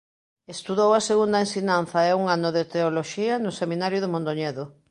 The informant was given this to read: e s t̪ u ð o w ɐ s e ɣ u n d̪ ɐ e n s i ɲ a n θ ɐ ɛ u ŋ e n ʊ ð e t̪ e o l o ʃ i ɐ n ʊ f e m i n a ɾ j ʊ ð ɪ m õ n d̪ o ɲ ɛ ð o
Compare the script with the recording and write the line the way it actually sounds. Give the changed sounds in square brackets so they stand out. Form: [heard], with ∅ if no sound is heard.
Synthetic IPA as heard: e s t̪ u ð o w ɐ s e ɣ u n d̪ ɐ e n s i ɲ a n θ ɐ ɛ u ŋ [a] n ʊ ð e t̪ e o l o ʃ i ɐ n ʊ [s] e m i n a ɾ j ʊ ð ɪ m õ n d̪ o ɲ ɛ ð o

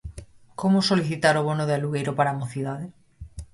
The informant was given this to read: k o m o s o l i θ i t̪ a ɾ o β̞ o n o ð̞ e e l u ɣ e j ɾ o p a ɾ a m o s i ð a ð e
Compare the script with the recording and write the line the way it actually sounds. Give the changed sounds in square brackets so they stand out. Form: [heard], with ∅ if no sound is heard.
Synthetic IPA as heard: k o m o s o l i θ i t̪ a ɾ o β̞ o n o ð̞ e [a] l u ɣ e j ɾ o p a ɾ a m o [θ] i ð a ð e

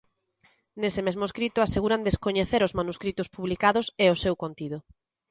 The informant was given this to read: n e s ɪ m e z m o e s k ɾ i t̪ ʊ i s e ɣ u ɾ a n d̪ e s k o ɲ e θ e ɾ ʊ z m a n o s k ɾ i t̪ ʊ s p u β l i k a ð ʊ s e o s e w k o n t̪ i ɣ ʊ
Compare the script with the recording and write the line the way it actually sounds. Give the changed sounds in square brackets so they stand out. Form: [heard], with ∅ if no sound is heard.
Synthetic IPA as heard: n e s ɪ m e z m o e s k ɾ i t̪ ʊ [a] s e ɣ u ɾ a n d̪ e s k o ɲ e θ e ɾ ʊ z m a n [u] s k ɾ i t̪ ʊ s p u β l i k a ð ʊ s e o s e w k o n t̪ i [ð] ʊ

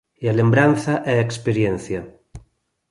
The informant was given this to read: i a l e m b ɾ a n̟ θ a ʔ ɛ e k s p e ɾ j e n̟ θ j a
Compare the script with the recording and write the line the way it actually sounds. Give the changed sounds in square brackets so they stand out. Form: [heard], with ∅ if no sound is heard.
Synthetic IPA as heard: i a l e m b ɾ a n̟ θ a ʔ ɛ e k s p e ɾ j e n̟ θ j a

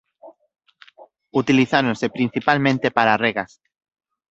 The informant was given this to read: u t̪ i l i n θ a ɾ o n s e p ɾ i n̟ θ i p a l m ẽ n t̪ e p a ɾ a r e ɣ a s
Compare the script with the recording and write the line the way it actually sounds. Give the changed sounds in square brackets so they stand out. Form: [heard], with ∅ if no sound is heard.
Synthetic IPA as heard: u t̪ i l i [∅] θ a ɾ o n s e p ɾ i n̟ θ i p a l m ẽ n t̪ e p a ɾ a r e ɣ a s

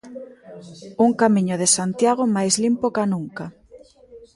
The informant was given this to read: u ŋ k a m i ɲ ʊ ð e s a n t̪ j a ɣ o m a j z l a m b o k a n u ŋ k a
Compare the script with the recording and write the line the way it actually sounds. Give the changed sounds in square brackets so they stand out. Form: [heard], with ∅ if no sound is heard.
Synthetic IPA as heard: u ŋ k a m i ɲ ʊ ð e s a n t̪ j a ɣ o m a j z l [i] m [p] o k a n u ŋ k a

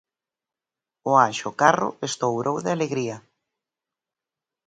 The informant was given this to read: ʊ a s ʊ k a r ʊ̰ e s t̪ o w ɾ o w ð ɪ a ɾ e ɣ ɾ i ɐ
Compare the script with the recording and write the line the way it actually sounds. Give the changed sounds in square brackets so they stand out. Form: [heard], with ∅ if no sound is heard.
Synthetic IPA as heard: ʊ a [ʃ] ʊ k a r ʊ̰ e s t̪ o w ɾ o w ð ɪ a [l] e ɣ ɾ i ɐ

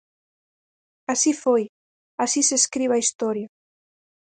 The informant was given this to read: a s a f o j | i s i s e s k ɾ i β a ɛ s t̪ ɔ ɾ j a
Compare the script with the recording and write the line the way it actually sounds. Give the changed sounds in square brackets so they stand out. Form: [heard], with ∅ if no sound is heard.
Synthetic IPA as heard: a s [i] f o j | [a] s i s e s k ɾ i β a [i] s t̪ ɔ ɾ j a

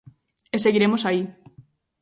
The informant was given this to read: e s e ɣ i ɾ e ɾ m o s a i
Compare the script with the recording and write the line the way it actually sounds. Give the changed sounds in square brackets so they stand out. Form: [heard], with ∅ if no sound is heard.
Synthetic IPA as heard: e s e ɣ i ɾ e [∅] m o s a i

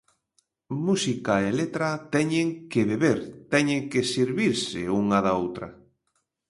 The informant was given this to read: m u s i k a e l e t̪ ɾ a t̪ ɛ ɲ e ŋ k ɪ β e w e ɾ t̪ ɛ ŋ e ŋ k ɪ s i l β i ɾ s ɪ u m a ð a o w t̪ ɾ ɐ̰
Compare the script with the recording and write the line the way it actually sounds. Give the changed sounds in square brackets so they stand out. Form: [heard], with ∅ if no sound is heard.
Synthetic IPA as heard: m u s i k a e l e t̪ ɾ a t̪ ɛ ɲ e ŋ k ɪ β e [β] e ɾ t̪ ɛ [ɲ] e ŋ k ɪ s i [ɾ] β i ɾ s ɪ u [ŋ] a ð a o w t̪ ɾ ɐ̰

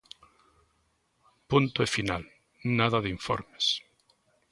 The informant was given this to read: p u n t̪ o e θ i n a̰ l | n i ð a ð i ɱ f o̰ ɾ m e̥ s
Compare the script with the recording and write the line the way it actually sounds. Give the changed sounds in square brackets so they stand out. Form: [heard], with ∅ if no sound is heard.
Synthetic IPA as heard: p u n t̪ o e [f] i n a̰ l | n [a] ð a ð i ɱ f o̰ ɾ m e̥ s

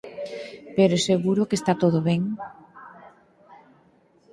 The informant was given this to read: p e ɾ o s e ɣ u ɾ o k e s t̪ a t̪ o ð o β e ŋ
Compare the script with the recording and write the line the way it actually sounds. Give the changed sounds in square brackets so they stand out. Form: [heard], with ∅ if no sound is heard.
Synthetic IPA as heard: p e ɾ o s e ɣ u ɾ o k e s t̪ a t̪ o ð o β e ŋ

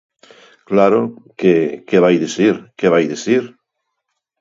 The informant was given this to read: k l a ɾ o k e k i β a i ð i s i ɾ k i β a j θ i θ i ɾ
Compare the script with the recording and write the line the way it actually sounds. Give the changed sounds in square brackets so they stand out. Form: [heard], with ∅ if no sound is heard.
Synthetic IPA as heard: k l a ɾ o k e k [e] β a [j] ð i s i ɾ k [e] β a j [ð] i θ i ɾ

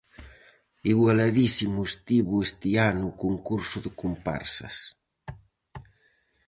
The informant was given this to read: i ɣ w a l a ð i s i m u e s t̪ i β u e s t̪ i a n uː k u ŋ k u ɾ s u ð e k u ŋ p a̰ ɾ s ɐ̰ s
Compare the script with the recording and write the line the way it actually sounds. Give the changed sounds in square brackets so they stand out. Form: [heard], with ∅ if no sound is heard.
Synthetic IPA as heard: i ɣ w a l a ð i s i m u e s t̪ i β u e s t̪ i a n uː k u ŋ k u ɾ s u ð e k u [m] p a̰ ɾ s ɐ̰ s

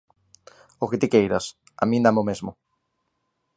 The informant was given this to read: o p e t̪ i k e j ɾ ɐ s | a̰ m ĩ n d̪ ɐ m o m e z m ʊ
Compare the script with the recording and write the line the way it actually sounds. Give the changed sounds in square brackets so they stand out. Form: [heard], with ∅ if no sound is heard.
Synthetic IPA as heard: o [k] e t̪ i k e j ɾ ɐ s | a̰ m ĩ n d̪ [a] m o m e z m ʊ

